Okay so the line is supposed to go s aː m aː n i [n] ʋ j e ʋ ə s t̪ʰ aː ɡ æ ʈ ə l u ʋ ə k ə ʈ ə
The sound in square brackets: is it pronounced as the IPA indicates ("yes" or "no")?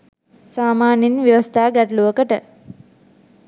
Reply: yes